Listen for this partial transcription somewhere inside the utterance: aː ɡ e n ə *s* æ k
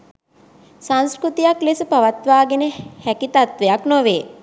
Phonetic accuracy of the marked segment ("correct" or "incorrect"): incorrect